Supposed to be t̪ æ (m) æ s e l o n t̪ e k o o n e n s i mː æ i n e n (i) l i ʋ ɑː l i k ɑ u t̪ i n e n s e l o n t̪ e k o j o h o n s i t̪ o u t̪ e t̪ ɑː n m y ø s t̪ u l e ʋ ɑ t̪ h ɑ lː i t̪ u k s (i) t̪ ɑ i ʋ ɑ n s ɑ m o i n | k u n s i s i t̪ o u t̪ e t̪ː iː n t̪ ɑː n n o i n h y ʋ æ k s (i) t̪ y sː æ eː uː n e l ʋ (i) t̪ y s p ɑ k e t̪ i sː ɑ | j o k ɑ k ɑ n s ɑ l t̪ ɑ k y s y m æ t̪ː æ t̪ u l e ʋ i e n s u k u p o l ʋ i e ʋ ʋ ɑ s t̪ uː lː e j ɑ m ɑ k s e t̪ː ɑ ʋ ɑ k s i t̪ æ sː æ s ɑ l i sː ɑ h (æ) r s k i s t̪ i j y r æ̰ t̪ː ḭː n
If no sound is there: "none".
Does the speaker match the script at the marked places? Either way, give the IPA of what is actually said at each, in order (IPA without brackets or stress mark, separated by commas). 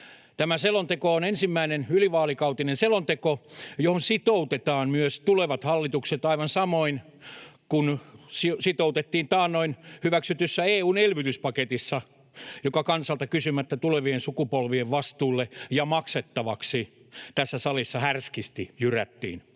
m, y, e, y, y, æ